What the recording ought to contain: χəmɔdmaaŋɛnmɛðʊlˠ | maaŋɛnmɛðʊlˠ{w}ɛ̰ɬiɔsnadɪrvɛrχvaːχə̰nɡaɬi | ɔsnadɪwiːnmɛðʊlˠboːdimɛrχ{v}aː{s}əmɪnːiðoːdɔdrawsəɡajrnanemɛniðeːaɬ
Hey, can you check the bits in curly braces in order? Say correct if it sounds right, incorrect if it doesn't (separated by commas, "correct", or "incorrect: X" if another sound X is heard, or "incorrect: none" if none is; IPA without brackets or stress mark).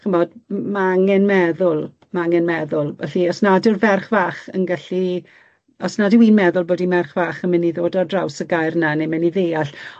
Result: incorrect: v, correct, incorrect: χ